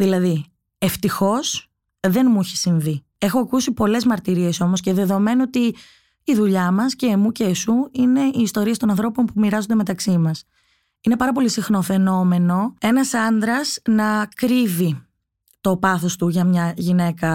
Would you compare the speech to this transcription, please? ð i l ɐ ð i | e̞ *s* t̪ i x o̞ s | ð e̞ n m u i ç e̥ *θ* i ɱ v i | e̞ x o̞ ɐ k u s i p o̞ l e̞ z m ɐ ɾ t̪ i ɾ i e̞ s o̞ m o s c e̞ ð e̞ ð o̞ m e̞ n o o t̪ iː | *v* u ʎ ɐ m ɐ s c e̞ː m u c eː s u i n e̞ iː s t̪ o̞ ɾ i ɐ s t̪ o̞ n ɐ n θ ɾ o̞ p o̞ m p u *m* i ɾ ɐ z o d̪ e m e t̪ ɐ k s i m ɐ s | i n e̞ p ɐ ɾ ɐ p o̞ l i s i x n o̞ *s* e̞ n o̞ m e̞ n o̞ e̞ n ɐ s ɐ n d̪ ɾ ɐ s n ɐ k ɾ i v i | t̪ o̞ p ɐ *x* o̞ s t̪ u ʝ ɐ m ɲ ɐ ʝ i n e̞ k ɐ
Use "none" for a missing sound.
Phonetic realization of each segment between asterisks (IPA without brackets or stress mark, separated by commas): f, s, ð, m, f, θ